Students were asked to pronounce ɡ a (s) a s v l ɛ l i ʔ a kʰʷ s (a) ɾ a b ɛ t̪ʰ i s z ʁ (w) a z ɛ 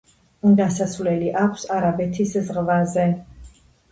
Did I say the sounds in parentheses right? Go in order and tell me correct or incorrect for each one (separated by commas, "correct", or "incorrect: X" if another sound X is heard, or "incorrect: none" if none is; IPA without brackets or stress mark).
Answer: correct, correct, incorrect: v